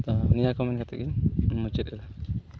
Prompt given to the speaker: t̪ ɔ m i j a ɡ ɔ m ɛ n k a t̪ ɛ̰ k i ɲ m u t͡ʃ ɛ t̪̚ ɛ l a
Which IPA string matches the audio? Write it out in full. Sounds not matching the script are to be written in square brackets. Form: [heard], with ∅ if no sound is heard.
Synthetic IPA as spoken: t̪ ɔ [n] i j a [k] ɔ m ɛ n k a t̪ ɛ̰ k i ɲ m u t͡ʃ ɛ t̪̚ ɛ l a